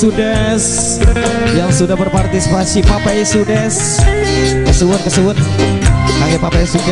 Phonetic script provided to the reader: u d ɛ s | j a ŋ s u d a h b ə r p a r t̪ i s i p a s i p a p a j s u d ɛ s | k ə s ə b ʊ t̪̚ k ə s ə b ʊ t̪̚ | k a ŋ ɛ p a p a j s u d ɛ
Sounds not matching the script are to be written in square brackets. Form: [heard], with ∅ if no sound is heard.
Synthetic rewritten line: u d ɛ s | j a ŋ s u d a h b ə r p a r t̪ i s i p a s i p a p a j s u d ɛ s | k ə s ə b ʊ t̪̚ k ə s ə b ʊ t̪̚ | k a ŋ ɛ p a p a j s u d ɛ